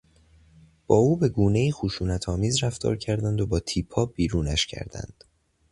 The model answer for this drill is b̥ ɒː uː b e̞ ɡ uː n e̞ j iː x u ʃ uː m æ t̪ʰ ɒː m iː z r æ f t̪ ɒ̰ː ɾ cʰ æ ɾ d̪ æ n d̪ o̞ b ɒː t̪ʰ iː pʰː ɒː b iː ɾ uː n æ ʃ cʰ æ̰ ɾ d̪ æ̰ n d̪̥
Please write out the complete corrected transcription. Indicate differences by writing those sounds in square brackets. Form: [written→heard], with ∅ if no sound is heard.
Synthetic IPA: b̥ ɒː uː b e̞ ɡ uː n e̞ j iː x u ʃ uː [m→n] æ t̪ʰ ɒː m iː z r æ f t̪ ɒ̰ː ɾ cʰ æ ɾ d̪ æ n d̪ o̞ b ɒː t̪ʰ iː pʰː ɒː b iː ɾ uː n æ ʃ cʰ æ̰ ɾ d̪ æ̰ n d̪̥